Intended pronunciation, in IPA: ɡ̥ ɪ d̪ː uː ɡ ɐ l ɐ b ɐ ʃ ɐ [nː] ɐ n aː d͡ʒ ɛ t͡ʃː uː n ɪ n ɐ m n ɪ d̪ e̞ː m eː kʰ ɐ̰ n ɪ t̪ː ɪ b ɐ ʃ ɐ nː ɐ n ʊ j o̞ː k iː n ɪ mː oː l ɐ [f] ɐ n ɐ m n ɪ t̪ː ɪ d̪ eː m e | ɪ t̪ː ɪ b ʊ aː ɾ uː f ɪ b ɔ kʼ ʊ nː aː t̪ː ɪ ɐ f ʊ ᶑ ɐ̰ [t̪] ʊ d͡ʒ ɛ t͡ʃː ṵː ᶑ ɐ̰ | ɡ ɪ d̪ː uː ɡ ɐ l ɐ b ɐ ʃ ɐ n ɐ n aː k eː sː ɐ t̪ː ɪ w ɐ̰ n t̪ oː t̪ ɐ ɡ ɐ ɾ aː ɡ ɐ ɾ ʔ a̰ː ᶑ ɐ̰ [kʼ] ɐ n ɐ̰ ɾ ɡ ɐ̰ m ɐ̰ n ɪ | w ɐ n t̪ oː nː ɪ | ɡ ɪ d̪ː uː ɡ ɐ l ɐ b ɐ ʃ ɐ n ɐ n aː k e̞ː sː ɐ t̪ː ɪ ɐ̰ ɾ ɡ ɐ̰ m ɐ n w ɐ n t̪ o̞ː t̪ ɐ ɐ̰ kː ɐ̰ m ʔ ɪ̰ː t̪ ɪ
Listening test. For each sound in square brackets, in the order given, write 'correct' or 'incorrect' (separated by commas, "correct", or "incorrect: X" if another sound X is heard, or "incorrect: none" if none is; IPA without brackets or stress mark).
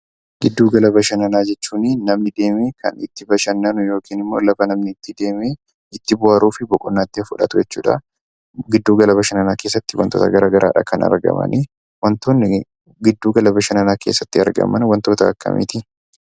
incorrect: n, correct, correct, incorrect: k